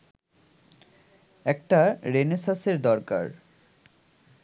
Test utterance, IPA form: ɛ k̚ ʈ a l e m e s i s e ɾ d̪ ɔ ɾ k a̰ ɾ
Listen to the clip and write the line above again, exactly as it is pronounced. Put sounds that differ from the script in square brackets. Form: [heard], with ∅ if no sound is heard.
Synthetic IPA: ɛ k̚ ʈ a [ɾ] e [n] e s [a] s e ɾ d̪ ɔ ɾ k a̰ ɾ

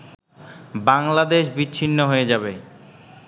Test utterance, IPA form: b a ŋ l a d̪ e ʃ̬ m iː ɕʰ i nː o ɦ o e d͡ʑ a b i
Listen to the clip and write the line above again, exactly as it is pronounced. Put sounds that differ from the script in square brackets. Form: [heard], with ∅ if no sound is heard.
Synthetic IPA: b a ŋ l a d̪ e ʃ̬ [b] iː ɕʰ i nː o ɦ o e d͡ʑ a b [e]

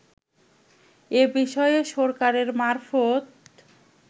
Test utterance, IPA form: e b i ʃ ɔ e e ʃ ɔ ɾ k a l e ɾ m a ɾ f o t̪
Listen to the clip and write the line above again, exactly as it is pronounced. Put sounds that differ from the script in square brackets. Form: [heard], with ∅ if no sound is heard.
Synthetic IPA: e b i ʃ ɔ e e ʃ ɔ ɾ k a [ɾ] e ɾ m a ɾ f o t̪

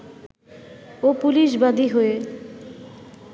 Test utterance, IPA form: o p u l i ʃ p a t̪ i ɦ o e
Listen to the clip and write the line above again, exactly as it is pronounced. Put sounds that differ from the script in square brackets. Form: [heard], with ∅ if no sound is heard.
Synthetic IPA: o p u l i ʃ [b] a [d̪] i ɦ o e

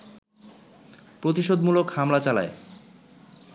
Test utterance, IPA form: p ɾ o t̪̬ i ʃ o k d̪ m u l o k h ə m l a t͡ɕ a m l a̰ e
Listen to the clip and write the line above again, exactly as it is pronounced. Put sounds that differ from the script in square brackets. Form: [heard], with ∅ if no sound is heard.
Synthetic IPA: p ɾ o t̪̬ i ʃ o [∅] d̪ m u l o k h [a] m l a t͡ɕ a [∅] l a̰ e

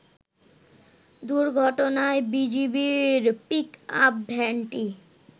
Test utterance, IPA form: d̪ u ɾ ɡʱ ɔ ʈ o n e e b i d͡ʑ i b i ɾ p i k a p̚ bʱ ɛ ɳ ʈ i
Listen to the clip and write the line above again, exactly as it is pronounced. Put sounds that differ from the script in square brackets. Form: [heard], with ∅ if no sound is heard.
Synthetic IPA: d̪ u ɾ ɡʱ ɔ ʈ o n [a] e b i d͡ʑ i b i ɾ p i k a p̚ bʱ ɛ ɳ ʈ i

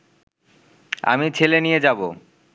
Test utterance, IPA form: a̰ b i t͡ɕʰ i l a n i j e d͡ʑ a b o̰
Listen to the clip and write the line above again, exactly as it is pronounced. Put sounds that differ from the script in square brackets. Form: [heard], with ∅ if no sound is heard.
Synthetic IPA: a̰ [m] i t͡ɕʰ [e] l [e] n i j e d͡ʑ a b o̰

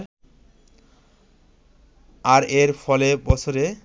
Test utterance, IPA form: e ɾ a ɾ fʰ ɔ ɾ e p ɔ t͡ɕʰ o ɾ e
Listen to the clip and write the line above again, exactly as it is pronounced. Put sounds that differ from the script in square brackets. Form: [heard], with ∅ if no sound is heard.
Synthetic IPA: [a] ɾ [e] ɾ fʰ ɔ [l] e [b] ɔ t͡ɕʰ o ɾ e

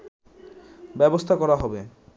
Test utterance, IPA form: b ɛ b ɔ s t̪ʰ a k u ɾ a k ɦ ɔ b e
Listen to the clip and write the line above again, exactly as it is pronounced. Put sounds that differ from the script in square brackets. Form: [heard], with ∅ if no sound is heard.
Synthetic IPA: b ɛ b [o] s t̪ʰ a k [ɔ] ɾ a [∅] ɦ ɔ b e

